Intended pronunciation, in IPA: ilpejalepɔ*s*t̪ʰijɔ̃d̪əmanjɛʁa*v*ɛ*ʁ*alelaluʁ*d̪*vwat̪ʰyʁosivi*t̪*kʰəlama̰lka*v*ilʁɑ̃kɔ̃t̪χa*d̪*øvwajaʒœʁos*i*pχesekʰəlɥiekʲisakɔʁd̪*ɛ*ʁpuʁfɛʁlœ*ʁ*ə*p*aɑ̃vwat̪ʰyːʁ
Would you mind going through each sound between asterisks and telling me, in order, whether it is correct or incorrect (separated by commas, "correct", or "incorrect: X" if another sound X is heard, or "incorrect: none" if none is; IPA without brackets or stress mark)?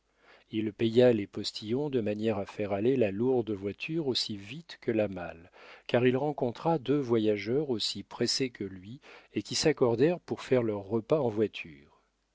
correct, incorrect: f, correct, correct, correct, incorrect: ʁ, correct, correct, correct, incorrect: ʁː, correct